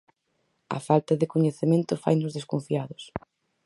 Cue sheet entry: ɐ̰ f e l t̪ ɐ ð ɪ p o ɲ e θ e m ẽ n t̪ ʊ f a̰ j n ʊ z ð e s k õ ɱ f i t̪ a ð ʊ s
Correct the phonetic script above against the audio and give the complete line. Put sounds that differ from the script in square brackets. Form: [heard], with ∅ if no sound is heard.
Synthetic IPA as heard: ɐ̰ f [a] l t̪ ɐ ð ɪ [k] o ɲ e θ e m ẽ n t̪ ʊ f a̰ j n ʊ z ð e s k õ ɱ f i [∅] a ð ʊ s